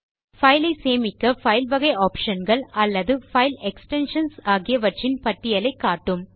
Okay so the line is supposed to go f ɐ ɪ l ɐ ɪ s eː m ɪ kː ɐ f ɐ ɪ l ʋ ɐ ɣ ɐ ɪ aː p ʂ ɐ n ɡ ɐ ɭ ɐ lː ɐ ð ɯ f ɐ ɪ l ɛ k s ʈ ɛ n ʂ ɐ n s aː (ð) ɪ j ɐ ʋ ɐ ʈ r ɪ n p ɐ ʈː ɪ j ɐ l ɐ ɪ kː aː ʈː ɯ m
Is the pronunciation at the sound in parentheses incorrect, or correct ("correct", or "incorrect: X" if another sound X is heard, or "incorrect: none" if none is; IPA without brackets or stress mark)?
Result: incorrect: ɣ